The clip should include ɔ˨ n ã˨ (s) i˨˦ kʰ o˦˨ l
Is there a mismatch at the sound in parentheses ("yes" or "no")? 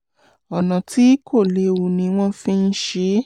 yes